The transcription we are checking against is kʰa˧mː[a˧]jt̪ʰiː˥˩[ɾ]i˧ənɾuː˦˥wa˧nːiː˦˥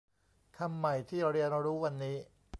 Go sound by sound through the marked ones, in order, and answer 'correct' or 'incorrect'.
incorrect, correct

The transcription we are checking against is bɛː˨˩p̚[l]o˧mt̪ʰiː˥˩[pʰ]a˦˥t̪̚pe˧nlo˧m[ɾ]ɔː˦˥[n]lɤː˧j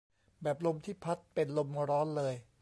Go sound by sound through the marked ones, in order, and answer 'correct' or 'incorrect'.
correct, correct, correct, correct

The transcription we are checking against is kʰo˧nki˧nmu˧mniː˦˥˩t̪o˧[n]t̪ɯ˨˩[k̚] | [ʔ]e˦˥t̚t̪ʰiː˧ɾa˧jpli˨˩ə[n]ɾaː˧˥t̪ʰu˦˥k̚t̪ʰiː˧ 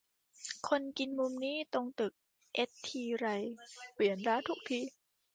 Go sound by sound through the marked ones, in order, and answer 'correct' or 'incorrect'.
incorrect, correct, correct, correct

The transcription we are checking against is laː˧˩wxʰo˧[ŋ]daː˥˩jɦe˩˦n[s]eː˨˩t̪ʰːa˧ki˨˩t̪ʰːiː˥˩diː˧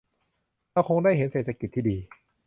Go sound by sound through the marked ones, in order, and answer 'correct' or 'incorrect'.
correct, correct

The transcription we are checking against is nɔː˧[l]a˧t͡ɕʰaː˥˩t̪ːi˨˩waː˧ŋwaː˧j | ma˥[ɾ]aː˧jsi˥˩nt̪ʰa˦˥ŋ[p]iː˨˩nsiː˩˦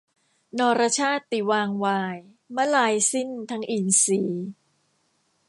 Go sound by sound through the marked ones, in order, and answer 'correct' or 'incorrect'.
incorrect, incorrect, incorrect

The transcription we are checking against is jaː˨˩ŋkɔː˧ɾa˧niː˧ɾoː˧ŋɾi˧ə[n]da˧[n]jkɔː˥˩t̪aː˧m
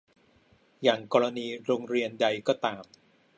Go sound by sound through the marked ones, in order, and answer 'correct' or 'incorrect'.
correct, incorrect

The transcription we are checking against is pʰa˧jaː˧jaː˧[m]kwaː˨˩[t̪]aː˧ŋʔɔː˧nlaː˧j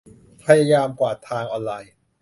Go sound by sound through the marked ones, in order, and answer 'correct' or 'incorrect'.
correct, incorrect

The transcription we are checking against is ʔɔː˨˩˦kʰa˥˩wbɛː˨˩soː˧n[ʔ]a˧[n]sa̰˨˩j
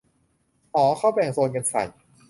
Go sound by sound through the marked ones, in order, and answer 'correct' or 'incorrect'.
incorrect, correct

